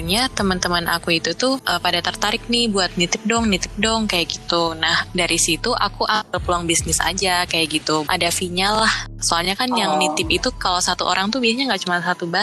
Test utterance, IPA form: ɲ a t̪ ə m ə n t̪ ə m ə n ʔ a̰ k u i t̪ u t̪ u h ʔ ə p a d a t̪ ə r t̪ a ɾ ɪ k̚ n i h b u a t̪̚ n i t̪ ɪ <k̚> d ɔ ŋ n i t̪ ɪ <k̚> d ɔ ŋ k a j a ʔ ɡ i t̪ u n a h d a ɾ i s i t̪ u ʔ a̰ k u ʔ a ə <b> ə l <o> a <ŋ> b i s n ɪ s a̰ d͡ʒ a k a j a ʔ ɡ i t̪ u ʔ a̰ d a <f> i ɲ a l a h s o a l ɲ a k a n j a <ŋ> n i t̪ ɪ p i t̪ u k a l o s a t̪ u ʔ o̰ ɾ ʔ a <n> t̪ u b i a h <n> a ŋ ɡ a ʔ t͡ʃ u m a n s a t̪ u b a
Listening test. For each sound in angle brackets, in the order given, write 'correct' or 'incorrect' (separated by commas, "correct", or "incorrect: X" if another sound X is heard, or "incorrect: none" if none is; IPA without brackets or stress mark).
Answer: incorrect: p̚, incorrect: p̚, incorrect: p, incorrect: u, correct, correct, correct, incorrect: ŋ, incorrect: ɲ